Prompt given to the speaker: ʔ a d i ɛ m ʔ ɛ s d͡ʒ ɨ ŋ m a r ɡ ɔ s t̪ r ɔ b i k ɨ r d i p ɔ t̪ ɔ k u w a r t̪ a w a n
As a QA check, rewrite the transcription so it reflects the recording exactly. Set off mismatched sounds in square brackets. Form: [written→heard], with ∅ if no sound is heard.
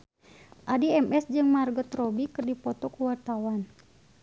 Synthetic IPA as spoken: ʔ a d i ɛ m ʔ ɛ s d͡ʒ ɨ ŋ m a r ɡ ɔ [s→∅] t̪ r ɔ b i k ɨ r d i p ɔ t̪ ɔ k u w a r t̪ a w a n